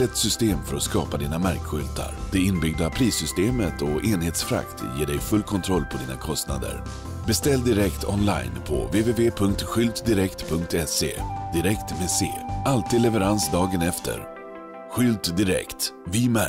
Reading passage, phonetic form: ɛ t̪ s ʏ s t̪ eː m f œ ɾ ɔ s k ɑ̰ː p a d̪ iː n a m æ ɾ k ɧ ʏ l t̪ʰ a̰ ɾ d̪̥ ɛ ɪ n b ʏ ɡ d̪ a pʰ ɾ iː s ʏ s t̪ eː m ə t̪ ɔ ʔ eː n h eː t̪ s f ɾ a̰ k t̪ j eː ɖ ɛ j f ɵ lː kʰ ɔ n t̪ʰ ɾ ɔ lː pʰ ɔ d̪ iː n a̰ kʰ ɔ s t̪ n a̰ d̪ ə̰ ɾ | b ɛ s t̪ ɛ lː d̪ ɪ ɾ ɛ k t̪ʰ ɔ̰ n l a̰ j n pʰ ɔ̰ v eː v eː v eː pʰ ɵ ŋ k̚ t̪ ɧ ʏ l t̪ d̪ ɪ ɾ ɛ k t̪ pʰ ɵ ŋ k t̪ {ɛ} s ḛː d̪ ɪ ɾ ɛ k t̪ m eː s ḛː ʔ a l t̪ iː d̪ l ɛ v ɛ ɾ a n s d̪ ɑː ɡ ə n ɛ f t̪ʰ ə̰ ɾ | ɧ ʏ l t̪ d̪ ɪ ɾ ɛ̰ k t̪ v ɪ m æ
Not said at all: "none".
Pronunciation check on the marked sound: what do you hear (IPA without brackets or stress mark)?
ɛ